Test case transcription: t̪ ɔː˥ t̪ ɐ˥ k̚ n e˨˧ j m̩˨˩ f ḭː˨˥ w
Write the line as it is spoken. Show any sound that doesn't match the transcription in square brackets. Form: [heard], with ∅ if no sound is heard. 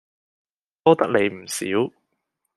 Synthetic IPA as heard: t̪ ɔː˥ t̪ ɐ˥ k̚ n e˨˧ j m̩˨˩ [s] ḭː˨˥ w